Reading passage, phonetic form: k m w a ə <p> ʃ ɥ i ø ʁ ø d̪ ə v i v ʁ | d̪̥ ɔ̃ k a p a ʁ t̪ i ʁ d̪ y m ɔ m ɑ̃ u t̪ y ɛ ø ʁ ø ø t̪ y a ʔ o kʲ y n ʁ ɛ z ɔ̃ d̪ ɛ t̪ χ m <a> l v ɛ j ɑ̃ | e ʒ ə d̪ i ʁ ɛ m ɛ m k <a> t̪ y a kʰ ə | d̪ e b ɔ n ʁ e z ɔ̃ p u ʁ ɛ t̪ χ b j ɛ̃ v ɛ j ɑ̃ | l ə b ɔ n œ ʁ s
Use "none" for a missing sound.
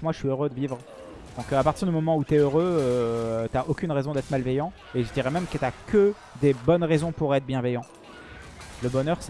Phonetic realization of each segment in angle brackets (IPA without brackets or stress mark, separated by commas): none, a, ə